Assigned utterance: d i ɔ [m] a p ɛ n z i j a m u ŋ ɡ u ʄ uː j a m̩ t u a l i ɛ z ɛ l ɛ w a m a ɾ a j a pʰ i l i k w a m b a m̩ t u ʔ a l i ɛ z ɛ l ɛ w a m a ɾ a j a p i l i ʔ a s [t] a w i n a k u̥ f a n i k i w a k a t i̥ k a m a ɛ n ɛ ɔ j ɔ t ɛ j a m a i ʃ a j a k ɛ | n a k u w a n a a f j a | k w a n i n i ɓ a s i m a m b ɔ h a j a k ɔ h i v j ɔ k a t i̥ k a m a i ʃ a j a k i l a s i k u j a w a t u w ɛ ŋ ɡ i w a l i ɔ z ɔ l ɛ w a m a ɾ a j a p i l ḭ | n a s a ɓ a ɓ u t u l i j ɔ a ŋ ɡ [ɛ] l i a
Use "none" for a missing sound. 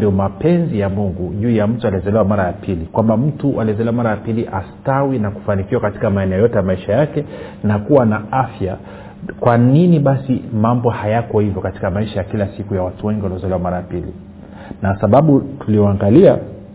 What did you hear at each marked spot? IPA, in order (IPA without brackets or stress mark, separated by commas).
m, t, a